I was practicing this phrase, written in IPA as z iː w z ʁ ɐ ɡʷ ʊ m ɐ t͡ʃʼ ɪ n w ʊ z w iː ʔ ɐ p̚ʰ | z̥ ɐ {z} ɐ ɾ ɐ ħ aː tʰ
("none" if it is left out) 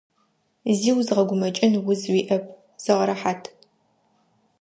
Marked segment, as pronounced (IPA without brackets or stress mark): ʁ